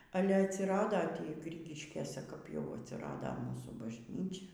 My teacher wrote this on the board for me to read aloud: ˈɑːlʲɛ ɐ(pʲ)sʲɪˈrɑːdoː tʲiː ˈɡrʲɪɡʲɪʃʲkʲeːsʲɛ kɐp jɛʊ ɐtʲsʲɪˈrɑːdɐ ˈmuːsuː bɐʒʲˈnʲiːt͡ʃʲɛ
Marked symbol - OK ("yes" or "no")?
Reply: no